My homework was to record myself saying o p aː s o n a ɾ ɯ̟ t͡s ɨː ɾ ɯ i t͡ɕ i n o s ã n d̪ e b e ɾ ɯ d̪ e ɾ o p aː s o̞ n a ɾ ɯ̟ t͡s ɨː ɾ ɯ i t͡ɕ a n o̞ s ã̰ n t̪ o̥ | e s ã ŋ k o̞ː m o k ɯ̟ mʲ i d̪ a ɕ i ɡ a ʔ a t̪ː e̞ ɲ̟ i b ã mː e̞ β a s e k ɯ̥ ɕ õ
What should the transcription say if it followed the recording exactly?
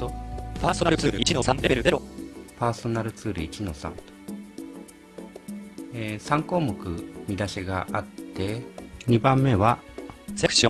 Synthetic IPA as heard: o p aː s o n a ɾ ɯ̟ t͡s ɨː ɾ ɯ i t͡ɕ i n o s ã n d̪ e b e ɾ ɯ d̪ e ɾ o p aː s o̞ n a ɾ ɯ̟ t͡s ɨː ɾ ɯ i t͡ɕ i n o̞ s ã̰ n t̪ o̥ | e s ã ŋ k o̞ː m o k ɯ̟ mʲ i d̪ a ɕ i ɡ a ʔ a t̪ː e̞ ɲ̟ i b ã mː e̞ β a s e k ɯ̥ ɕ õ